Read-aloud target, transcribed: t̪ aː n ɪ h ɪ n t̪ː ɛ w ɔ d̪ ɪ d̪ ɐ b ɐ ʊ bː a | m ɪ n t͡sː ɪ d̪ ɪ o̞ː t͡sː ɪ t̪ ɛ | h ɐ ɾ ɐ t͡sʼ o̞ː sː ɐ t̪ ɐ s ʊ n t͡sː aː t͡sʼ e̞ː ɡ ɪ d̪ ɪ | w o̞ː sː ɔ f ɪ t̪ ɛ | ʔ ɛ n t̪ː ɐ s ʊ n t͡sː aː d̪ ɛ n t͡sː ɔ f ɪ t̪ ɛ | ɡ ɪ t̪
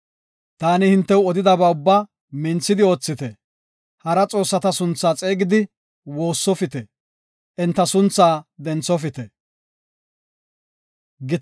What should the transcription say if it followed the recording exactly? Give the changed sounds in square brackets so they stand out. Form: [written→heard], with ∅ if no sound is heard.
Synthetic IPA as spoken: t̪ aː n ɪ h ɪ n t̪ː ɛ w ɔ d̪ ɪ d̪ ɐ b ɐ ʊ bː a | m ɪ n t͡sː ɪ d̪ ɪ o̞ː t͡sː ɪ t̪ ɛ | h ɐ ɾ ɐ t͡sʼ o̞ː sː ɐ t̪ ɐ s ʊ n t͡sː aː t͡sʼ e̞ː ɡ ɪ d̪ ɪ | w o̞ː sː ɔ f ɪ t̪ ɛ | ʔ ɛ n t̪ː ɐ s ʊ n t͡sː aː d̪ ɛ n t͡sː ɔ f ɪ t̪ ɛ | ɡ ɪ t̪